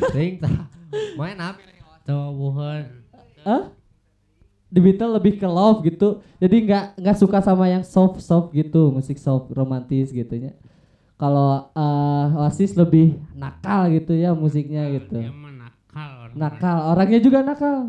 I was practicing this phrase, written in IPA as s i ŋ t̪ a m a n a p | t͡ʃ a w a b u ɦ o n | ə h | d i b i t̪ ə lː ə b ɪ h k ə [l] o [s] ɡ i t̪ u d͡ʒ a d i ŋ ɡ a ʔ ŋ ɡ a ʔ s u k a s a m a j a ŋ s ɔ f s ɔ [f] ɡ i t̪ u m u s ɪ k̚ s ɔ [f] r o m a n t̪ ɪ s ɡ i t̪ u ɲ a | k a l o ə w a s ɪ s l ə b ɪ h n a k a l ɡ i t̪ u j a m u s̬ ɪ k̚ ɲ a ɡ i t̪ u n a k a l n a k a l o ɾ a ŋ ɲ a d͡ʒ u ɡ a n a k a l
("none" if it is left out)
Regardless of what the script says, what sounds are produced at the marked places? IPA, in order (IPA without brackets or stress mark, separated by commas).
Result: l, f, f, f